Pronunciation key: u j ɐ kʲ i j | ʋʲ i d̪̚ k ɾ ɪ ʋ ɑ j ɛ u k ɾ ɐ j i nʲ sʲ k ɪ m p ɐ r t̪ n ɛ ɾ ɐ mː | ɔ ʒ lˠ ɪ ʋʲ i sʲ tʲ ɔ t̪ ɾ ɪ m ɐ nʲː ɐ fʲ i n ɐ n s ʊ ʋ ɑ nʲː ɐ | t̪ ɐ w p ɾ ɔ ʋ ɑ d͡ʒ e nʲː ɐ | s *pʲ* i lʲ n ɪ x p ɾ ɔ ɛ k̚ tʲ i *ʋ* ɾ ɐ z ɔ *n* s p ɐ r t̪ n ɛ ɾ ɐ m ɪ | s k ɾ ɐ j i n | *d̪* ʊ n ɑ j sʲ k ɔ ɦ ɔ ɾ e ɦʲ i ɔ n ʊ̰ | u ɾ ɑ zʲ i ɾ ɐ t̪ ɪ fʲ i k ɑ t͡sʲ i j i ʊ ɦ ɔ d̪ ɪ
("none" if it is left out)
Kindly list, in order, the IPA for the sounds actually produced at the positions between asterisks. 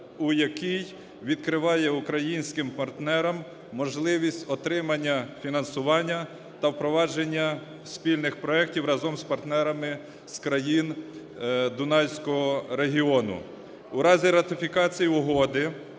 pʲ, w, m, d̪

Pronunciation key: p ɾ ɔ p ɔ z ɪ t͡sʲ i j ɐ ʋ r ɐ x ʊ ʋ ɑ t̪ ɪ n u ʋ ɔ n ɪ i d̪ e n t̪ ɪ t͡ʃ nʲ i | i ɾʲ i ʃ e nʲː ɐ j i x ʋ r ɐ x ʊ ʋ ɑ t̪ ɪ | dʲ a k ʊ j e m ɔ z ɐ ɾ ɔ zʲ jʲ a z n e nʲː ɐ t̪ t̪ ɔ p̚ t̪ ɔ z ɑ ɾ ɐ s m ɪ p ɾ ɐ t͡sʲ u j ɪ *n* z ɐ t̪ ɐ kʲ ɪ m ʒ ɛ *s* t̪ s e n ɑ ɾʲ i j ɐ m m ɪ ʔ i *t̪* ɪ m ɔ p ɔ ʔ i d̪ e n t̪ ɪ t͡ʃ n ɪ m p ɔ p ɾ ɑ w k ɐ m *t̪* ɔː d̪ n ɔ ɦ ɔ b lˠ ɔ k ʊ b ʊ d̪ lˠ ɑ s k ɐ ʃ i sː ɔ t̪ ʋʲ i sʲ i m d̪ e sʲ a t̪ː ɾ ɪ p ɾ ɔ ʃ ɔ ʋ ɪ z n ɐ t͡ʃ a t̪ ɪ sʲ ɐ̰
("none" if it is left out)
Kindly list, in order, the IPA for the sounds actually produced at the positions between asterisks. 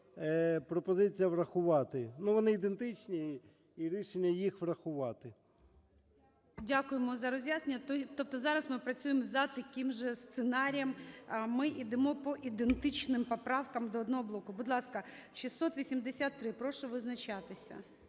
m, s, d̪, d̪

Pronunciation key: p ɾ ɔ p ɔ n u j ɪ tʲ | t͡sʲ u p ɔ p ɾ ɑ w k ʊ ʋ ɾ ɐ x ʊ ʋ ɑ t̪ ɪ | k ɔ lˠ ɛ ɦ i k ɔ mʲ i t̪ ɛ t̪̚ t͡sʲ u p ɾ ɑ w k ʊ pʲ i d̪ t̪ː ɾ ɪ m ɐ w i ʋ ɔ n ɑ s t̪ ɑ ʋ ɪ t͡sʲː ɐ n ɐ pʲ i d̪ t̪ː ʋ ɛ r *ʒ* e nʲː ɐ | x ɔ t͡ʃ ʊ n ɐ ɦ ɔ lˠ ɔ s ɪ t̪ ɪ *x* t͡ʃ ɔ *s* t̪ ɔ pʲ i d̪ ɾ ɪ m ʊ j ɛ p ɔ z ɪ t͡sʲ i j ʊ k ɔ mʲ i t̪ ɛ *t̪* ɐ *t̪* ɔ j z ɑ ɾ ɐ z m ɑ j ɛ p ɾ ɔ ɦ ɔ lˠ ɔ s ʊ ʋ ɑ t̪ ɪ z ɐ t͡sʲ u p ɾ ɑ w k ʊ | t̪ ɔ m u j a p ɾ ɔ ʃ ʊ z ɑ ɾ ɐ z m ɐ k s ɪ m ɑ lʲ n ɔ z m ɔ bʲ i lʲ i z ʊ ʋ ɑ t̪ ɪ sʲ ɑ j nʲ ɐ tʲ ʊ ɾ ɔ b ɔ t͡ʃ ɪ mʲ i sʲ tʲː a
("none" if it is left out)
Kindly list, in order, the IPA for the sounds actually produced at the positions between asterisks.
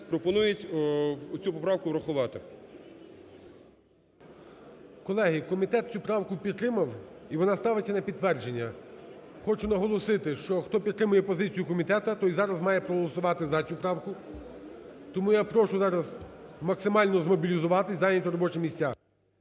d͡ʒ, ʃ, x, t̪, t̪

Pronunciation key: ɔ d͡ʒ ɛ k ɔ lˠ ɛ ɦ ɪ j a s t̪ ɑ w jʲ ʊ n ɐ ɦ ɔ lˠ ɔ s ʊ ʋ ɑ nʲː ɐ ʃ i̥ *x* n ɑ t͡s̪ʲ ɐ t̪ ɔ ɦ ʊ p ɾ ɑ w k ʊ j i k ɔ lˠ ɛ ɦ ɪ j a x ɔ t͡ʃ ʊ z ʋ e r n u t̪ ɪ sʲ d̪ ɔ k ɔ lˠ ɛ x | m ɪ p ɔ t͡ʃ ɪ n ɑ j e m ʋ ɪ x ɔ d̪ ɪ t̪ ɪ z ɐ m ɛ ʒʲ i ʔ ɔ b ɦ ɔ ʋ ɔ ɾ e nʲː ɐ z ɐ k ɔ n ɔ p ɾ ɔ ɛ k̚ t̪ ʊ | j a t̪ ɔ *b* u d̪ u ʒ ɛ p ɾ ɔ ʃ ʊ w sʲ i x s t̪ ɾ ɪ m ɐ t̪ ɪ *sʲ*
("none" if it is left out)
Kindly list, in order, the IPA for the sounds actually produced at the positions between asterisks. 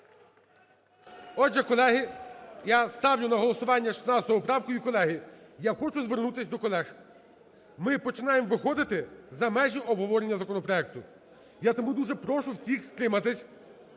s, m, sʲ

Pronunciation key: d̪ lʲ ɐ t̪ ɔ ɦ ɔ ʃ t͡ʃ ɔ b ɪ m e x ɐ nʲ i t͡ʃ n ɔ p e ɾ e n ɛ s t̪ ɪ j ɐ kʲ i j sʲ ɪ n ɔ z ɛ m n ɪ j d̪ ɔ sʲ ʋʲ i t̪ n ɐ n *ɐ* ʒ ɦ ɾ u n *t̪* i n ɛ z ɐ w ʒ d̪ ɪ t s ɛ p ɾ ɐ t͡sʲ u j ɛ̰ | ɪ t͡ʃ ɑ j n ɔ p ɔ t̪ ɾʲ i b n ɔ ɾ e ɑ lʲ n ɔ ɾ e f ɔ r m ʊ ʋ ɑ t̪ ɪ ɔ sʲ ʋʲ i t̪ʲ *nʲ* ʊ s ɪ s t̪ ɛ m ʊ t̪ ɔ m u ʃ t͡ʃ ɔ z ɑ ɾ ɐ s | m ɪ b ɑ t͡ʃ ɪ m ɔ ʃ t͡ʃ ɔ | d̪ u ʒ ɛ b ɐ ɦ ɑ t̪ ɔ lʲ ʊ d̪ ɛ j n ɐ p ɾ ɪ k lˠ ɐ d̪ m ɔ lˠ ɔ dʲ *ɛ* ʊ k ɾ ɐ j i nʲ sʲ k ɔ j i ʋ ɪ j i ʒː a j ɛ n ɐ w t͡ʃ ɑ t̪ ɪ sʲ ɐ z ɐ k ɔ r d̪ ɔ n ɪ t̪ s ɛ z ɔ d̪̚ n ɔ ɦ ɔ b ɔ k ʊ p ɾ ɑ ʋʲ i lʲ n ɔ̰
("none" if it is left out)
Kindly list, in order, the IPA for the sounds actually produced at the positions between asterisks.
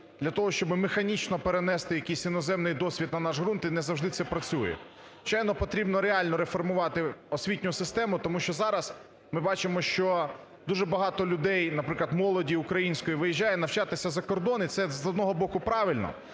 ɑ, t̪, nʲ, i

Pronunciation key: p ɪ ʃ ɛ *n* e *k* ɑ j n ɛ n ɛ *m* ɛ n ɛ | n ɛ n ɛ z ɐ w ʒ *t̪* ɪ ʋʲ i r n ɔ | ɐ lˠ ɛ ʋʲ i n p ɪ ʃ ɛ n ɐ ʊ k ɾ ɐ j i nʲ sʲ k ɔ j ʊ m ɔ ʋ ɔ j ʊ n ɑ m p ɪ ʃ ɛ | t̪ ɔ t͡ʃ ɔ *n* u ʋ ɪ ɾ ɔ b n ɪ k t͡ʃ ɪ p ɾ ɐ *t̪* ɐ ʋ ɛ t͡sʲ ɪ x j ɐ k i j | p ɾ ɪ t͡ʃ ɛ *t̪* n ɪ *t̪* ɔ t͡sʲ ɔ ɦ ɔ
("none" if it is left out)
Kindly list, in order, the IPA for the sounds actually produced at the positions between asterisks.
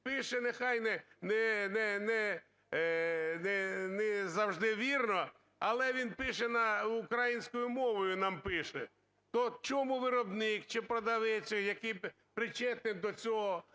n, x, n, d̪, m, d̪, t̪, d̪

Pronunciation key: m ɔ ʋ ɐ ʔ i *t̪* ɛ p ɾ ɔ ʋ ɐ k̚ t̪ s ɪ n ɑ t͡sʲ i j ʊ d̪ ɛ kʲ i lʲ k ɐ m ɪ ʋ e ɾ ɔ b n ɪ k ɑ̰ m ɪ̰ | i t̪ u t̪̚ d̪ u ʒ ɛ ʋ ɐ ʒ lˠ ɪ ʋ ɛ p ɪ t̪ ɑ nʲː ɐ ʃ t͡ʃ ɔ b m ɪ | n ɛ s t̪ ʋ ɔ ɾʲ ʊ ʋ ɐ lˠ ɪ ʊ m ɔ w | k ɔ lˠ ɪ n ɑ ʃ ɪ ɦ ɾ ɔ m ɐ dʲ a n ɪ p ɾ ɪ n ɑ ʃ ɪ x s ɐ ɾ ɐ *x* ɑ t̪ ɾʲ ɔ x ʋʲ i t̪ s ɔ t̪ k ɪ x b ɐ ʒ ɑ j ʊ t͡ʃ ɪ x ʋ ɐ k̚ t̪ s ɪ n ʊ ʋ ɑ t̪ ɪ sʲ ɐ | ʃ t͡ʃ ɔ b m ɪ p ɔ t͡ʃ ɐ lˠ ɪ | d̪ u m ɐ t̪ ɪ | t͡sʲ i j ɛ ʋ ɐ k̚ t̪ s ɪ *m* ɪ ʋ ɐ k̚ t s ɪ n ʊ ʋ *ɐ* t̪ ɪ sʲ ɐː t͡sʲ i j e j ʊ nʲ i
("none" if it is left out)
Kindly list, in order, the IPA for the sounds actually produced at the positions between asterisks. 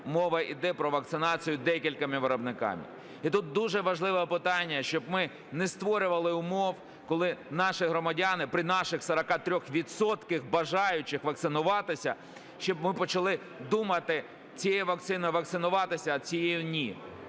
d̪, k, n, ɑ

